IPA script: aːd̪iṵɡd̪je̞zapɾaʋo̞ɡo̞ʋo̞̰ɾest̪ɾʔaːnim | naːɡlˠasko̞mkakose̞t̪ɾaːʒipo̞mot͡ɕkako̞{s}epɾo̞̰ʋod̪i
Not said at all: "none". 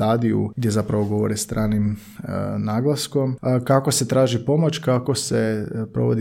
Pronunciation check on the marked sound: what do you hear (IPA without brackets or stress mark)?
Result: s